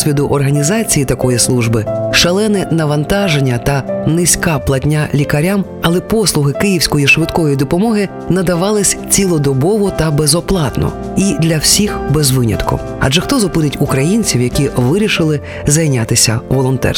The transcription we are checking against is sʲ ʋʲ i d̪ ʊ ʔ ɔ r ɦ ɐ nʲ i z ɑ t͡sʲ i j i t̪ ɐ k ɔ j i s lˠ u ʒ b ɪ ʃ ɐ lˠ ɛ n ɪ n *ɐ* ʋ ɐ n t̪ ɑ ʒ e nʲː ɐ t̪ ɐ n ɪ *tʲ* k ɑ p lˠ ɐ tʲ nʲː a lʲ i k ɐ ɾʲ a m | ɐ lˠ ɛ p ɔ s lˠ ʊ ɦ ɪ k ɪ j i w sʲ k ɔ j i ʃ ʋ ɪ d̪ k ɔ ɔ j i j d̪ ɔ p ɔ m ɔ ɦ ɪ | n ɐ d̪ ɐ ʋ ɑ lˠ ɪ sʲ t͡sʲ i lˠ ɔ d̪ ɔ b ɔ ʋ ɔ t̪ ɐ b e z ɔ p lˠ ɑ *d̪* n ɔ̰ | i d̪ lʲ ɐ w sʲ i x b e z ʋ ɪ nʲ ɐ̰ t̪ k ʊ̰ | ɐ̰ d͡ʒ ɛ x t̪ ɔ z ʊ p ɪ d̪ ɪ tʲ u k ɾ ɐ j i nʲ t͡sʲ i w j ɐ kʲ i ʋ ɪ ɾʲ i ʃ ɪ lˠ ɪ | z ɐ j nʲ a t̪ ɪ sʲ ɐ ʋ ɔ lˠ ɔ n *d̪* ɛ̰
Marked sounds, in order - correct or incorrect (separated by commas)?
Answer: correct, incorrect, incorrect, incorrect